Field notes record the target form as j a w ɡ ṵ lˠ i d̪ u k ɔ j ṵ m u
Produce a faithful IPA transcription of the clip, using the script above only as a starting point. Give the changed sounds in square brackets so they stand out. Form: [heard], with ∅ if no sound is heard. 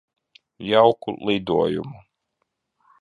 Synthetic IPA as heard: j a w [k] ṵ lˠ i d̪ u [∅] ɔ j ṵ m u